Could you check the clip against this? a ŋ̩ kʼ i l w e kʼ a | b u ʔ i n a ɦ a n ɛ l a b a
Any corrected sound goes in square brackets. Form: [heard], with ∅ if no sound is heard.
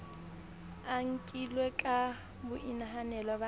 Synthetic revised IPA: a ŋ̩ kʼ i l w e kʼ a | b [ʊ] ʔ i n a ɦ a n ɛ l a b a